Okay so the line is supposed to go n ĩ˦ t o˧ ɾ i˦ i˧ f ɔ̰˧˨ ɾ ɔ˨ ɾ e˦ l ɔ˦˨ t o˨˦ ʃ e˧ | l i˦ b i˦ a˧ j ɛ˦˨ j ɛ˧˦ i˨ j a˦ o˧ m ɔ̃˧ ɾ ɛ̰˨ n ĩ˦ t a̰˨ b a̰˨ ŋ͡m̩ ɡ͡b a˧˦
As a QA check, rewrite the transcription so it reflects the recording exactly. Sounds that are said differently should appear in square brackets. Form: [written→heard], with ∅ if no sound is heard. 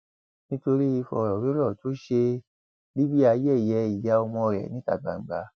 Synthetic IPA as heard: n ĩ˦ t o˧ ɾ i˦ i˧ f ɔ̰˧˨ ɾ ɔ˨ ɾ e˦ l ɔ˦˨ t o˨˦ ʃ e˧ | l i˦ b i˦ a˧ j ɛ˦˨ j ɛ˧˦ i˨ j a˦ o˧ m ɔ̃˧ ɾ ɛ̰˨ n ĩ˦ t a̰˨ [b→ɡ͡b] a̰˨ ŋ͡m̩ ɡ͡b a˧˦